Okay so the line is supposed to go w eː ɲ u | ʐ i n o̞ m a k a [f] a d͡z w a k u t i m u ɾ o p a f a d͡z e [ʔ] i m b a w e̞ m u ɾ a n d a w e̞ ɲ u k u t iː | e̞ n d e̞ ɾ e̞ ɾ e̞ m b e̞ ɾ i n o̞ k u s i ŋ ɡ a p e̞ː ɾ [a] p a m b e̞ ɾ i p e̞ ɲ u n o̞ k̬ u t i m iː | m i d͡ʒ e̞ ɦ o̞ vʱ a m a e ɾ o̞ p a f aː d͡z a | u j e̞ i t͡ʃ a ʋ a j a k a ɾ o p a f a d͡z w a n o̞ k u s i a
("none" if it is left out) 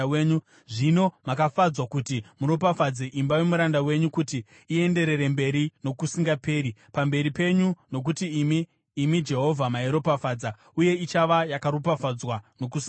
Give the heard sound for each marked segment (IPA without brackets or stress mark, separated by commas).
f, ʔ, i